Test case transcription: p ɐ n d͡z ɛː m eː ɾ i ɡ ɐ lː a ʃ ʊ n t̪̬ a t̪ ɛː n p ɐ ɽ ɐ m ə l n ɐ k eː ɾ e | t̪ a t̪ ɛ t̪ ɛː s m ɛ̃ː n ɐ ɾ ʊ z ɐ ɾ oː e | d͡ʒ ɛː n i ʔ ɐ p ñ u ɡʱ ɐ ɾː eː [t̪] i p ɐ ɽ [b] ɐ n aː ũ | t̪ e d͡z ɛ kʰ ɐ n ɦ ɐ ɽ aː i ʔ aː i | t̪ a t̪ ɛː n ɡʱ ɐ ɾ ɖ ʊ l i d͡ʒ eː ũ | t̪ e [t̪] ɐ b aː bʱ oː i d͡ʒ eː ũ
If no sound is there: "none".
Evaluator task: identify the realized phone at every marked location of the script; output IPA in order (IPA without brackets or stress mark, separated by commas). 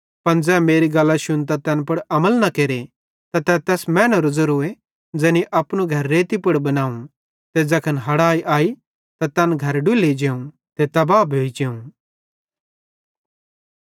t̪, b, t̪